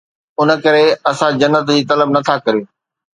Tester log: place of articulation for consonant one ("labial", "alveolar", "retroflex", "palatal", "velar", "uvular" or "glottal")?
alveolar